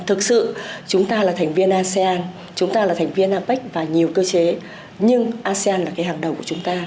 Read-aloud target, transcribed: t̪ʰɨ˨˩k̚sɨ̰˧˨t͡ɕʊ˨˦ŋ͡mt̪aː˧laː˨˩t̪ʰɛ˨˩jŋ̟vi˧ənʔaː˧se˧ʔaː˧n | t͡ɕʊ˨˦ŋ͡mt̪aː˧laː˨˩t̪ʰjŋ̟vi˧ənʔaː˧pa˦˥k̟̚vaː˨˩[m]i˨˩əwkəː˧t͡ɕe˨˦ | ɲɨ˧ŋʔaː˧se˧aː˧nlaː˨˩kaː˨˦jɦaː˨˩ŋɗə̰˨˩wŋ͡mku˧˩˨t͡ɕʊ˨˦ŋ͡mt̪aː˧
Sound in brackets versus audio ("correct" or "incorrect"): incorrect